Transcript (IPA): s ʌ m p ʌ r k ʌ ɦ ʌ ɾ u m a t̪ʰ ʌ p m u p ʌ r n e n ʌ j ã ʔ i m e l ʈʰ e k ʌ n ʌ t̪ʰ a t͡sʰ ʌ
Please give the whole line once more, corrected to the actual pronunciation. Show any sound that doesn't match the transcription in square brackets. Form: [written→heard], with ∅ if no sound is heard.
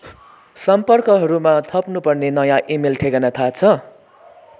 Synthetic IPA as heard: s ʌ m p ʌ r k ʌ ɦ ʌ ɾ u m a t̪ʰ ʌ p [m→n] u p ʌ r n e n ʌ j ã ʔ i m e l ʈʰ e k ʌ n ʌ t̪ʰ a t͡sʰ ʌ